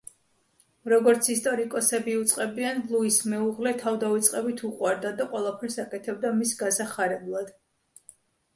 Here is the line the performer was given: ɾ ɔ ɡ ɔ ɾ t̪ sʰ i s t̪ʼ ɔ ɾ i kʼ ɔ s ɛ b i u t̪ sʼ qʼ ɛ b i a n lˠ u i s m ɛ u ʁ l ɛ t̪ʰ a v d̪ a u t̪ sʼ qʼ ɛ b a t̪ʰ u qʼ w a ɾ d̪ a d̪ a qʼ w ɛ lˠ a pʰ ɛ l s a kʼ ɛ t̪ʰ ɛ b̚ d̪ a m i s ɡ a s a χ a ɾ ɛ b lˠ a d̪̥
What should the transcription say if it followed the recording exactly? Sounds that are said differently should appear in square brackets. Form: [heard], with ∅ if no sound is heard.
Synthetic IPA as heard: ɾ ɔ ɡ ɔ ɾ t̪ sʰ i s t̪ʼ ɔ ɾ i kʼ ɔ s ɛ b i u t̪ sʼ qʼ ɛ b i a n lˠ u i s m ɛ u ʁ l ɛ t̪ʰ a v d̪ a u t̪ sʼ qʼ ɛ b [i] t̪ʰ u qʼ w a ɾ d̪ a d̪ a qʼ w ɛ lˠ a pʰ ɛ [ɾ] s a kʼ ɛ t̪ʰ ɛ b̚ d̪ a m i s ɡ a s a χ a ɾ ɛ b lˠ a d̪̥